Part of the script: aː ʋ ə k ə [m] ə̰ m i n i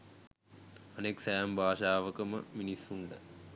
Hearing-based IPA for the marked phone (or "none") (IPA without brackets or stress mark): m